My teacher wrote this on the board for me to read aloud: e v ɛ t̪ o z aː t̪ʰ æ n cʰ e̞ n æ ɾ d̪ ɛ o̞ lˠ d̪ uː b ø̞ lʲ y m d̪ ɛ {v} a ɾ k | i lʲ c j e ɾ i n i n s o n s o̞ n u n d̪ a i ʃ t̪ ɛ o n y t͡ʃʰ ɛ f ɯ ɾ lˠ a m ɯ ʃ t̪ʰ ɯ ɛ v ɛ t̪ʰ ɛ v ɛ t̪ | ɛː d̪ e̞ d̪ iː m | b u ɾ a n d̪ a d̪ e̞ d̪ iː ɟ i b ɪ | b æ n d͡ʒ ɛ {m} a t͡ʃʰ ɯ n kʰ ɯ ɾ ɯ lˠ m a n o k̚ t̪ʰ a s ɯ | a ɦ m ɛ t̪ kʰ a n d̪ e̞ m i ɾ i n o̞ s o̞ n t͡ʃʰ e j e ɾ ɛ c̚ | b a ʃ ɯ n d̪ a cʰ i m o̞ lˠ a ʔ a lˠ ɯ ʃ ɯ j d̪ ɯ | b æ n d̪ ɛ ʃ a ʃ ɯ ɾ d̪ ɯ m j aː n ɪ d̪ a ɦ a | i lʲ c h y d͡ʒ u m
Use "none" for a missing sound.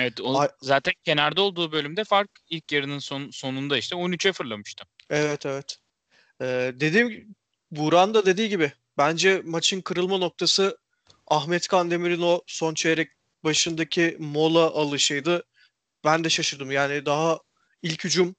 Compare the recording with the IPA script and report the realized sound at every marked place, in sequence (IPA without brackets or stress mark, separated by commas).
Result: f, m